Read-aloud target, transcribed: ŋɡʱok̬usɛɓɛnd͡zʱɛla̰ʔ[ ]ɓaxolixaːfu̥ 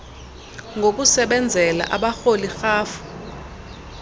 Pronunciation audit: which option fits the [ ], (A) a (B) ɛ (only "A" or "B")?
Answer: A